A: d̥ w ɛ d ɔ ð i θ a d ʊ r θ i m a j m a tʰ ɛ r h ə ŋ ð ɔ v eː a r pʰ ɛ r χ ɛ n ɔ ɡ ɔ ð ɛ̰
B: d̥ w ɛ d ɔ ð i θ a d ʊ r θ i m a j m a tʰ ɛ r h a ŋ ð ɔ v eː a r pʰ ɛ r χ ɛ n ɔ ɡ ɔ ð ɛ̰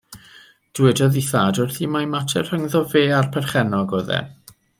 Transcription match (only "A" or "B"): A